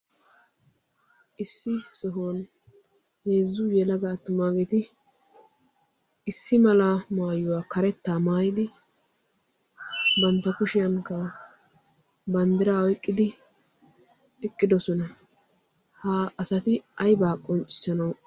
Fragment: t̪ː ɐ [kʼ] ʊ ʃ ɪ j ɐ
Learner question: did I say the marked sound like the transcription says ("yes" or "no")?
no